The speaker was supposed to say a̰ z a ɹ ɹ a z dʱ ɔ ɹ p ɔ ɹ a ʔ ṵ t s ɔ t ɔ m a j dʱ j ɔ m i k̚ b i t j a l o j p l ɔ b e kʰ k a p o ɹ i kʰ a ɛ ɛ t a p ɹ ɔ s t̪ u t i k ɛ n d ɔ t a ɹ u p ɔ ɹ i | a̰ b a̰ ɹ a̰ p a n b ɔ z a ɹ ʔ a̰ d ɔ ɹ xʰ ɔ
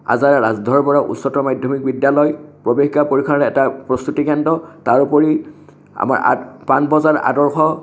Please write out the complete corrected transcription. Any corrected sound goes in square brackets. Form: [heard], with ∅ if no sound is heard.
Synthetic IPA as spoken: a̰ z a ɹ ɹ a z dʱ ɔ ɹ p ɔ ɹ a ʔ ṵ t s ɔ t ɔ m a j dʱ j ɔ m i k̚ b i [d] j a l [ɔ] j p [ɹ] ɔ b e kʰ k a p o ɹ i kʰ a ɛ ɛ t a p ɹ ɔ s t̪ u t i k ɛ n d ɔ t a ɹ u p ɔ ɹ i | a̰ [m] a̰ ɹ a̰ p a n b ɔ z a ɹ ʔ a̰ d ɔ ɹ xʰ ɔ